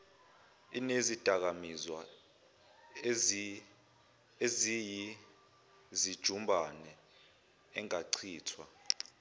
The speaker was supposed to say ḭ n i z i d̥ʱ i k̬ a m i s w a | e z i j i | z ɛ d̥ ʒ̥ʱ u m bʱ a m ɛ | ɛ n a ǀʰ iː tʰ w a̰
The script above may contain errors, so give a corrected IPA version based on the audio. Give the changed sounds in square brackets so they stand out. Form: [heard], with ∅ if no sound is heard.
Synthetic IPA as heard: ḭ n [e] z i d̥ʱ [a] k̬ a m i [z] w a | e z i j i | z [i] d̥ ʒ̥ʱ u m bʱ a [n] ɛ | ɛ [ŋ] a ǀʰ iː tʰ w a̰